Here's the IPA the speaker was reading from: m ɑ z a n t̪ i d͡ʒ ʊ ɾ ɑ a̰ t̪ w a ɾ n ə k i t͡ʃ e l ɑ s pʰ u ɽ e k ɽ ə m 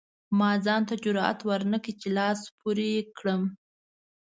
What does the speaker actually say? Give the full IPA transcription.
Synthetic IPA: m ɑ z ɑ n t̪ a d͡ʒ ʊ ɾ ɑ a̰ t̪ w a ɾ n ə k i t͡ʃ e l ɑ s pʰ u ɾ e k ɽ ə m

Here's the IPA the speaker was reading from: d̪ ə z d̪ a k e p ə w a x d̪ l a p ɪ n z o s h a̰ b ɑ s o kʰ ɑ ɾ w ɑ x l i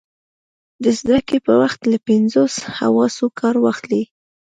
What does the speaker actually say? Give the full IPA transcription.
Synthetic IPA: d̪ ə z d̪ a k e p ə w a x t̪ l a p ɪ n z o s h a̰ w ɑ s o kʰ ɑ ɾ w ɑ x l i

